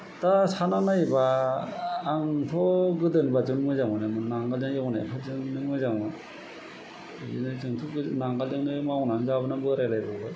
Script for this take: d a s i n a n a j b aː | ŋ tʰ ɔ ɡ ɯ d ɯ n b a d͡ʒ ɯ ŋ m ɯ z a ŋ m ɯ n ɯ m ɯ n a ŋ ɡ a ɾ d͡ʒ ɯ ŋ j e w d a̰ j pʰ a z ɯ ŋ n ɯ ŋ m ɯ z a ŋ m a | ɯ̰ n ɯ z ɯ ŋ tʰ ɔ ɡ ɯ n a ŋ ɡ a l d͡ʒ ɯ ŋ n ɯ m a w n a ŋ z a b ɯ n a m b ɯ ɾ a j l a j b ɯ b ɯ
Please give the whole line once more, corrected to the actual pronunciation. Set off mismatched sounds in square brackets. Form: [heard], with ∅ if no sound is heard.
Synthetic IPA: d a s [a] n a n a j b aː | ŋ tʰ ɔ ɡ ɯ d ɯ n b a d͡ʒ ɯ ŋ m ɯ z a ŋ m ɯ n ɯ m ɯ n a ŋ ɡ a [l] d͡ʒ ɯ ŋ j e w [n] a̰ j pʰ a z ɯ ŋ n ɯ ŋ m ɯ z a ŋ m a | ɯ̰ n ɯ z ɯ ŋ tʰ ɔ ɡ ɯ n a ŋ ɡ a l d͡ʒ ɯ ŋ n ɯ m a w n a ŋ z a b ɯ n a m b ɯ ɾ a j l a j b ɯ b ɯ